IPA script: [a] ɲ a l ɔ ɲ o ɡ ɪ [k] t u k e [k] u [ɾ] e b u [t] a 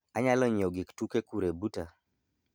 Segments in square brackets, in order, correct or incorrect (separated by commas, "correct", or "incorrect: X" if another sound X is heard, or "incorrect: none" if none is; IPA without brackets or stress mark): correct, correct, correct, correct, correct